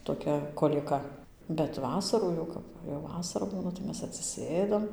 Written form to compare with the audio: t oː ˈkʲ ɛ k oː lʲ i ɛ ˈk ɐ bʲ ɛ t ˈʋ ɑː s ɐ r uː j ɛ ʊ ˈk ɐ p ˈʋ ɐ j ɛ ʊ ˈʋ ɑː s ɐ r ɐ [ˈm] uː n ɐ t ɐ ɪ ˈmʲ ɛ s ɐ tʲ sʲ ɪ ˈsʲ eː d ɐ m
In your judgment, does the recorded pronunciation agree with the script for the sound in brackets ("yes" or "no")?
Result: no